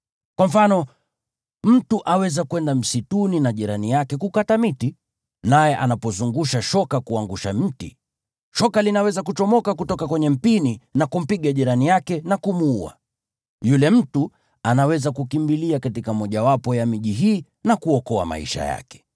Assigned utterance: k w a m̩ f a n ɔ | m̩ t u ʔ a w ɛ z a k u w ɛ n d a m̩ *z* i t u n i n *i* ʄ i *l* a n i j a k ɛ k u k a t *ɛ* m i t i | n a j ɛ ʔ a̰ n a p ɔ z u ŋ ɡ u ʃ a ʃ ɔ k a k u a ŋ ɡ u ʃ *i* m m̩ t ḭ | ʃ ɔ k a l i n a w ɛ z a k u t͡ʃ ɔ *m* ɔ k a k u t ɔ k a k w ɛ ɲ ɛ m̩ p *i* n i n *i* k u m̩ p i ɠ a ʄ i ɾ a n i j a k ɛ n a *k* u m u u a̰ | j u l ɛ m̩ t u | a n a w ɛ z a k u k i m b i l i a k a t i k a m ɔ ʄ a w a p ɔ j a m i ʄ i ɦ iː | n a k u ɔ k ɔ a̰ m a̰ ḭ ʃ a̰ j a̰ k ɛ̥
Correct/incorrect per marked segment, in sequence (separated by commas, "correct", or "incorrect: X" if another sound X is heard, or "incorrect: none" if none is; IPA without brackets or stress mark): incorrect: s, incorrect: a, incorrect: ɾ, incorrect: a, incorrect: a, correct, correct, incorrect: a, correct